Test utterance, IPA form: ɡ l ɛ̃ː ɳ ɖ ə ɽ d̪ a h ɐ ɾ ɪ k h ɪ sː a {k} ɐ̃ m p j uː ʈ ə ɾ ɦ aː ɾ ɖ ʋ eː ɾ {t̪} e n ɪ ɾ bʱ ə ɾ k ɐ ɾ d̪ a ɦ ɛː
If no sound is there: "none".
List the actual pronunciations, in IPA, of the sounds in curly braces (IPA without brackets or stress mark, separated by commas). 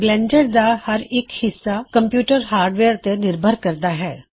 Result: k, t̪